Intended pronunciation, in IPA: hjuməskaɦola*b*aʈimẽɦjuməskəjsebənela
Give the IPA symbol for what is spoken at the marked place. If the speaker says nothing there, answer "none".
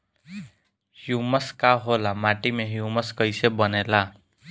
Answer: m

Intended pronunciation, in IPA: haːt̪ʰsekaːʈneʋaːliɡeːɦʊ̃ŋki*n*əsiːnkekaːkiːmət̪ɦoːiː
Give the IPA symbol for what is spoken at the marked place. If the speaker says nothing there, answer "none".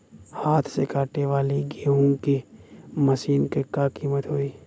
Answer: m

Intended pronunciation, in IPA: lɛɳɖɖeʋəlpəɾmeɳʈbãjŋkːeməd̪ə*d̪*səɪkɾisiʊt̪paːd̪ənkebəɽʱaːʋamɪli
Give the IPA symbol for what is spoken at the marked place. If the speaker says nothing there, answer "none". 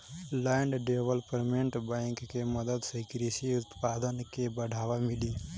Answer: d̪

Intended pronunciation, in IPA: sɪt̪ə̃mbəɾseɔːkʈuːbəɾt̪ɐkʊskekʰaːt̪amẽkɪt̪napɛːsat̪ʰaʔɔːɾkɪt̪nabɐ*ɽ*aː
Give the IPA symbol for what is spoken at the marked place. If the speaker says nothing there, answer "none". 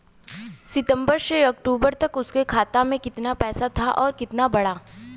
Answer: ɽ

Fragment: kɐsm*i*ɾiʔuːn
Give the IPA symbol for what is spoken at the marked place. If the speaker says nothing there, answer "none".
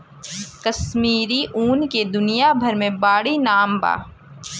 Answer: iː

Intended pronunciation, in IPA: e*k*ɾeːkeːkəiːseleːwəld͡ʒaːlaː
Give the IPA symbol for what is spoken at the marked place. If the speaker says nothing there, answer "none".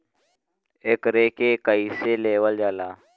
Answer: k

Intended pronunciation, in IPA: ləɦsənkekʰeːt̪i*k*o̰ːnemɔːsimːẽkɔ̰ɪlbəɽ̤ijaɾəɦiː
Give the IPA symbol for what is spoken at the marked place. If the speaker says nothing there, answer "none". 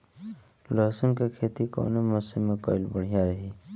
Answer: k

